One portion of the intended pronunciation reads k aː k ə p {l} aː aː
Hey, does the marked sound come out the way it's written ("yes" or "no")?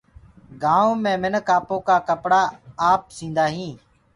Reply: no